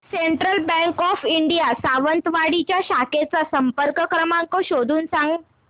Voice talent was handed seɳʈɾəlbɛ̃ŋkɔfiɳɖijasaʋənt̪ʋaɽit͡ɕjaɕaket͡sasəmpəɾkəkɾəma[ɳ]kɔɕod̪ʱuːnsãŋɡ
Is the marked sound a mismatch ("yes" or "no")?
yes